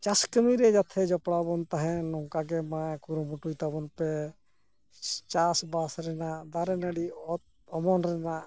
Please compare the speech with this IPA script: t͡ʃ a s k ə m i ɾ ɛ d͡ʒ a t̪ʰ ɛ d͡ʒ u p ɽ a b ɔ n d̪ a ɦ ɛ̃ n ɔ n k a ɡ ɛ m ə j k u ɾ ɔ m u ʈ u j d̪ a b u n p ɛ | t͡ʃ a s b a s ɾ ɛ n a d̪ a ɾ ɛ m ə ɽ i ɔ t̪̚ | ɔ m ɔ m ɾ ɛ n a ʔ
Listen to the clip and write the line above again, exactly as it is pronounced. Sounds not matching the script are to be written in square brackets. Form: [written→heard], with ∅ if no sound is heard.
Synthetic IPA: t͡ʃ a s k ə m i ɾ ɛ d͡ʒ a t̪ʰ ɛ d͡ʒ [u→ɔ] p ɽ a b ɔ n [d̪→t̪] a ɦ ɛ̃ n ɔ [n→ŋ] k a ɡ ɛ m [ə→a] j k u ɾ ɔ m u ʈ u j [d̪→t̪] a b [u→ɔ] n p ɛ | t͡ʃ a s b a s ɾ ɛ n a d̪ a ɾ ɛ [m→n] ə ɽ i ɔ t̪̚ | ɔ m ɔ [m→n] ɾ ɛ n a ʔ